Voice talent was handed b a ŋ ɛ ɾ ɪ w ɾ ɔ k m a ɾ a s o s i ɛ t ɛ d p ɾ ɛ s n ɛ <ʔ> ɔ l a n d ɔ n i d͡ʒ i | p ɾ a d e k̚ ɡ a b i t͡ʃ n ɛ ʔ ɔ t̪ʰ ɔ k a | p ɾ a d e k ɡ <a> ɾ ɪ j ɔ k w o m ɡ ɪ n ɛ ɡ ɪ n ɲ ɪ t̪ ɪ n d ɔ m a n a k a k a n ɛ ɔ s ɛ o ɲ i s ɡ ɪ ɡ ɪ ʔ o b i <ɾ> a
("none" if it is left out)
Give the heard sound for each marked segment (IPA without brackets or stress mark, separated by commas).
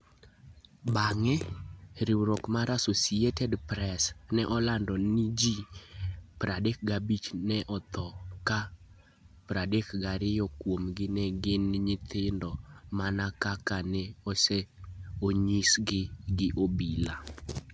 ʔ, a, l